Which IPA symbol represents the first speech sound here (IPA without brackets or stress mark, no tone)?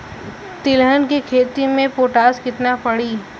t̪